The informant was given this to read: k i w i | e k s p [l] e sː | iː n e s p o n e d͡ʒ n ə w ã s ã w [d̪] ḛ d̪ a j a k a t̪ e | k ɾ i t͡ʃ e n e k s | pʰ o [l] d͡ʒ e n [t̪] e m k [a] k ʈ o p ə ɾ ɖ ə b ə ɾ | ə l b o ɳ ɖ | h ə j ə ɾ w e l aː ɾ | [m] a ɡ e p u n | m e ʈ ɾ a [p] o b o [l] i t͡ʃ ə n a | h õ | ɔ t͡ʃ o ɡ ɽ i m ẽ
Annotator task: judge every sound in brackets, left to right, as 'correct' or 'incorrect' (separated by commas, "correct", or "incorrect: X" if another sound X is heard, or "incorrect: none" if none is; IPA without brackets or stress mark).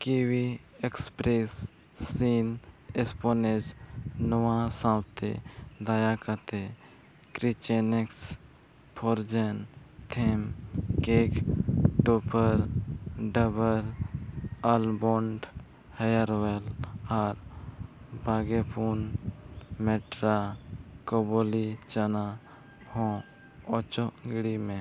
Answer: incorrect: ɾ, incorrect: t̪, incorrect: ɾ, incorrect: t̪ʰ, incorrect: e, incorrect: b, incorrect: k, correct